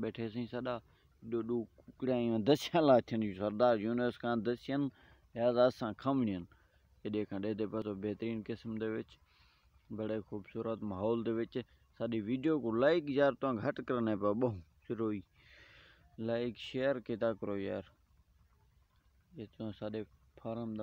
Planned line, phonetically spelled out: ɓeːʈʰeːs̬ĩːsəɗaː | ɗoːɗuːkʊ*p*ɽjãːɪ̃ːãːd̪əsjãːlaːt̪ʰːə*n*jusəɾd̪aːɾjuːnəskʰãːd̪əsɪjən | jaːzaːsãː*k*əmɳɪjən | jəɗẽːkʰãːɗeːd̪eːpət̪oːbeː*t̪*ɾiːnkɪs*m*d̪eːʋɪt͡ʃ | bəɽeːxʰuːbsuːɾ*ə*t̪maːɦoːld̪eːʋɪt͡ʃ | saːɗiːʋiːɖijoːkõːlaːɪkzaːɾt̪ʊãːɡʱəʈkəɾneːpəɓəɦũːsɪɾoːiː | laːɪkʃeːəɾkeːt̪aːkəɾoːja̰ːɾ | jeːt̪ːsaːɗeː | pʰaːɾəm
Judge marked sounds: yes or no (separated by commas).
no, yes, no, yes, yes, yes